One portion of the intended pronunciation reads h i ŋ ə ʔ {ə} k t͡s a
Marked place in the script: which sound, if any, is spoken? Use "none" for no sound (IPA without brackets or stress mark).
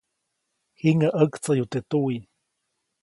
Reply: ə